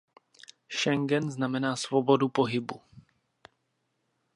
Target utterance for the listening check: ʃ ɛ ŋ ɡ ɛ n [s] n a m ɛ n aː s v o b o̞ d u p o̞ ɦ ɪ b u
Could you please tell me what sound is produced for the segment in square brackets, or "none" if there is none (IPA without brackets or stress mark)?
z